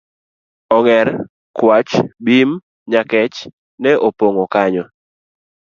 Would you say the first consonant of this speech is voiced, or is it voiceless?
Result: voiced